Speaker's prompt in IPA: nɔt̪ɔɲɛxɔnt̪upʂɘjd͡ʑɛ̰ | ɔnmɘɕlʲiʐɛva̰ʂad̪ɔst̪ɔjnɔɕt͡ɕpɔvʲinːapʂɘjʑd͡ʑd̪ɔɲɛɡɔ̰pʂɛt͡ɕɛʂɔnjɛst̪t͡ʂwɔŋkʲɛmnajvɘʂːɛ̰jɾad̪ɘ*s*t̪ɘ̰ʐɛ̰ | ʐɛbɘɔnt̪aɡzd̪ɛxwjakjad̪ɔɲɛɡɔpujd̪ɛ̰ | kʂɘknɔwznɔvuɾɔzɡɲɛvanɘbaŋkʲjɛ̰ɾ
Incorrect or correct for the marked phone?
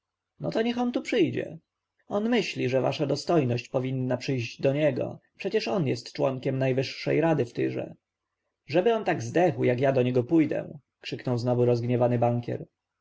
incorrect: f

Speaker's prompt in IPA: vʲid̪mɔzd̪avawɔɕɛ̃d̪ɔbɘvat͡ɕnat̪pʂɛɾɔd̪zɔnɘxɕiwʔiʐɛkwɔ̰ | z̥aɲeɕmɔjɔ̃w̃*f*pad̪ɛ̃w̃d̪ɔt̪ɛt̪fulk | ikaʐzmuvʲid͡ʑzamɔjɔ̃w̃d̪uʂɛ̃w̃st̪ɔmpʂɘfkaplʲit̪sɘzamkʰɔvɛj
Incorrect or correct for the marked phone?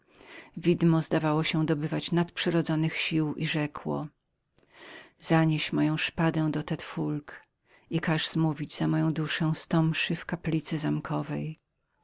incorrect: ʂ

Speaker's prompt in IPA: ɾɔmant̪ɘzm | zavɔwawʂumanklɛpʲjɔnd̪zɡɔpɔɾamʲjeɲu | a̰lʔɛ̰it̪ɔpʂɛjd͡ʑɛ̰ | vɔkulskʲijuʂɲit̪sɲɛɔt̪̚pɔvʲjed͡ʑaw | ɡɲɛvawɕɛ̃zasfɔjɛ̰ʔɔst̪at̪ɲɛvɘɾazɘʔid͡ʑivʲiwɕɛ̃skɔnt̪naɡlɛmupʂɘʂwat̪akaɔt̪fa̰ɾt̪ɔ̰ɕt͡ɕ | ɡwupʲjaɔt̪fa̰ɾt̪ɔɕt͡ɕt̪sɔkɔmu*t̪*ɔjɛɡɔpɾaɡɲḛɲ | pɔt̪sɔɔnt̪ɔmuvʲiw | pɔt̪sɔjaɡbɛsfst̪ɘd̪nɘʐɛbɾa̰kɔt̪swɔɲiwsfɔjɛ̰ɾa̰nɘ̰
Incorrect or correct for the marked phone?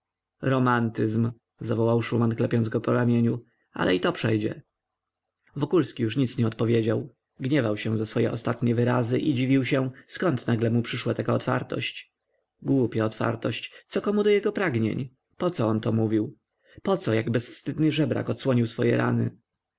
incorrect: d̪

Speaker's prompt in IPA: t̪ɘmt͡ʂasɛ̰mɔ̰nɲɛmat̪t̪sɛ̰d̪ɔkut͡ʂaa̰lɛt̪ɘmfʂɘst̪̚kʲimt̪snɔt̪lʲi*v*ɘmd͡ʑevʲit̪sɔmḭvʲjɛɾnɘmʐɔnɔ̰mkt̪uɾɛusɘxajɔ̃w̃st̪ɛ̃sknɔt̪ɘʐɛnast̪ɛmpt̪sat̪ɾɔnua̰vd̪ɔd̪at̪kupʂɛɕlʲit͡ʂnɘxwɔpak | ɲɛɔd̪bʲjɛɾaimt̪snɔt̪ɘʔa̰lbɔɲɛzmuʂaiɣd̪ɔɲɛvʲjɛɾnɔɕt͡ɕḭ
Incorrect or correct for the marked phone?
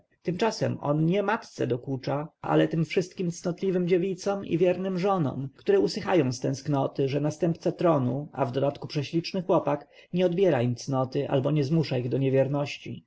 correct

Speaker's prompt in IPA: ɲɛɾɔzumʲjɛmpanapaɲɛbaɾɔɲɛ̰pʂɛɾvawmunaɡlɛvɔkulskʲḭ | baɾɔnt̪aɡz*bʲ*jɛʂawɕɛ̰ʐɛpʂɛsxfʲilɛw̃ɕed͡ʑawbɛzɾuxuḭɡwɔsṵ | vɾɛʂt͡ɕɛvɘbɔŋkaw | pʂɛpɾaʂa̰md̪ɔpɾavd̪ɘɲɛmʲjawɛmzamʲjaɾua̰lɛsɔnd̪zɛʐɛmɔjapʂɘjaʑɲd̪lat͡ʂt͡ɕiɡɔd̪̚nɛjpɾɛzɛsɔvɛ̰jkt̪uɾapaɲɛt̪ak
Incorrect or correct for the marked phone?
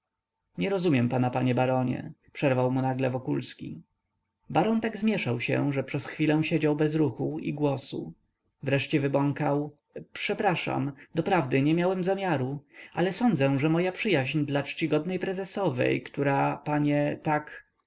incorrect: mʲ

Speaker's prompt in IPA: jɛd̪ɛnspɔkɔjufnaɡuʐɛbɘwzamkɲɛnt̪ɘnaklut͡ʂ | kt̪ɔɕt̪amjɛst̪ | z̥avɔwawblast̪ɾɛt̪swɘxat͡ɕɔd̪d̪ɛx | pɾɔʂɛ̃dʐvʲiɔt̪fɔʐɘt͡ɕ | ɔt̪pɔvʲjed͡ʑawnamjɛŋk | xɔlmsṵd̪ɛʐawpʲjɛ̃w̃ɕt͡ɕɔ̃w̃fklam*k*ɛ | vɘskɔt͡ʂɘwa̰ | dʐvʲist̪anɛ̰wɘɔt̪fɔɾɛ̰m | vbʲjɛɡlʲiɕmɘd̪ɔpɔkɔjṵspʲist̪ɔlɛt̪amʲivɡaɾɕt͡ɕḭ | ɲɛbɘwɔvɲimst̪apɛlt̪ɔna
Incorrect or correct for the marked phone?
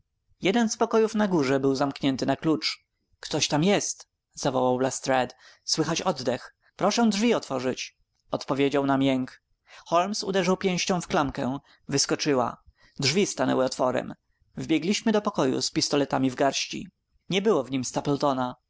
correct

